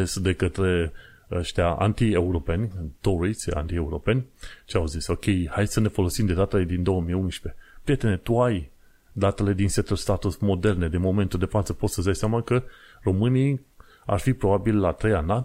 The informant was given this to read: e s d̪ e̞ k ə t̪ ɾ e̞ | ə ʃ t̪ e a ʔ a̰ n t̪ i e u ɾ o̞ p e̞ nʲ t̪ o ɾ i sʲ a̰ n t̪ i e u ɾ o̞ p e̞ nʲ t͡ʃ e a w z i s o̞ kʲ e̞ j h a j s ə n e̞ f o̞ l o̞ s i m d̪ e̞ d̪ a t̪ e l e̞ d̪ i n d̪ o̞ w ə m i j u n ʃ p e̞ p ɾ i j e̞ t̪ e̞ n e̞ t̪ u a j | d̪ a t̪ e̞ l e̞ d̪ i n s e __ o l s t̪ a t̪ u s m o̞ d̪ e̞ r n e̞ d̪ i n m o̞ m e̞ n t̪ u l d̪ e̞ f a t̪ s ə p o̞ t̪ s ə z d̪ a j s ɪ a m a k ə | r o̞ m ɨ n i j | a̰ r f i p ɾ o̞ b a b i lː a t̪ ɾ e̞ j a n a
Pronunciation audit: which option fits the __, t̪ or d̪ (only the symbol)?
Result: t̪